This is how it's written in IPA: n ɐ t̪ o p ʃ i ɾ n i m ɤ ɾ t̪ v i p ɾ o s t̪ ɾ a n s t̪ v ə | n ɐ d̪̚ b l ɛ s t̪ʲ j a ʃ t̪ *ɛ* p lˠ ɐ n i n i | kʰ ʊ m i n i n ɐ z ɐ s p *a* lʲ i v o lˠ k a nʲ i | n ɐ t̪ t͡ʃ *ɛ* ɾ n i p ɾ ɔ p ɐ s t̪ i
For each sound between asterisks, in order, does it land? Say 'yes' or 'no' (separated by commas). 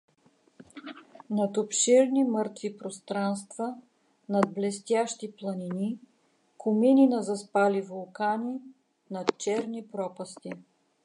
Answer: no, yes, yes